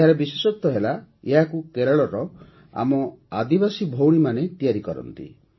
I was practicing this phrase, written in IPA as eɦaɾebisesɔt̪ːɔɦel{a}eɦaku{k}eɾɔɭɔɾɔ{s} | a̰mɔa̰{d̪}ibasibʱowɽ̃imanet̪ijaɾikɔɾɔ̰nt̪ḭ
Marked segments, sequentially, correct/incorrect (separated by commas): correct, correct, incorrect, correct